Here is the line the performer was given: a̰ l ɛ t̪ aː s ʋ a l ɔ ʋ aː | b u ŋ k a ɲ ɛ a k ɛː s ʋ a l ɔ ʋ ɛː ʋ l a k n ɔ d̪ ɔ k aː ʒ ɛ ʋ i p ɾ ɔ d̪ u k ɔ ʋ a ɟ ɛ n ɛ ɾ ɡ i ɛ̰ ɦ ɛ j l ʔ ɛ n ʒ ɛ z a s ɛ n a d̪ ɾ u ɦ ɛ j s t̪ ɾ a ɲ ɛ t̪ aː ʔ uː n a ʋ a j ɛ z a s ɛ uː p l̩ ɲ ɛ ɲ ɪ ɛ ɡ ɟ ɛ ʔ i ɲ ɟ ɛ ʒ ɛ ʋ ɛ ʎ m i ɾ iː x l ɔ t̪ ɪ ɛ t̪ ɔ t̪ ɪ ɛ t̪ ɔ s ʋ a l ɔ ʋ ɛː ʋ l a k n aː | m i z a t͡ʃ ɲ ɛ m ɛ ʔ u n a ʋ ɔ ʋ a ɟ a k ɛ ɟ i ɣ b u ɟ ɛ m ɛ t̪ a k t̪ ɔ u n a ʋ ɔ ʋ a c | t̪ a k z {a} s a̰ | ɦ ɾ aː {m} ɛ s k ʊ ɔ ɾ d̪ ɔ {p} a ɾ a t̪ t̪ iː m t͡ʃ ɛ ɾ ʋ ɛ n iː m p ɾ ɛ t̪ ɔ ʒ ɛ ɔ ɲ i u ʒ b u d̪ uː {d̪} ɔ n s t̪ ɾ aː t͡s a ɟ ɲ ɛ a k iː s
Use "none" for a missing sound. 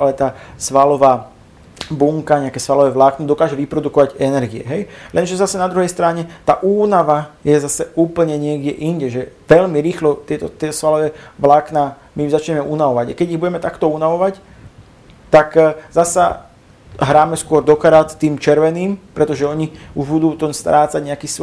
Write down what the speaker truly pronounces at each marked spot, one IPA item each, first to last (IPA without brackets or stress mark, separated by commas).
a, m, k, t̪